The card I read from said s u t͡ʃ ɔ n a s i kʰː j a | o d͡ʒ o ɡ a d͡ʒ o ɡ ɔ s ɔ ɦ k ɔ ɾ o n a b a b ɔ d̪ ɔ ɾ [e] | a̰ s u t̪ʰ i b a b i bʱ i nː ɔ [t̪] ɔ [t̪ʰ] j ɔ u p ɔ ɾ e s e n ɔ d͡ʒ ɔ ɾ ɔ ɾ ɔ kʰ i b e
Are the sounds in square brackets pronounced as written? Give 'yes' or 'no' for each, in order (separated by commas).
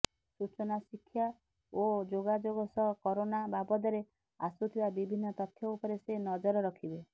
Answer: yes, yes, yes